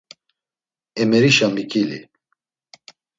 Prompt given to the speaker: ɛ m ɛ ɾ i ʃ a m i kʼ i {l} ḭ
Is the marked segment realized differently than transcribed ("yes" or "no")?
no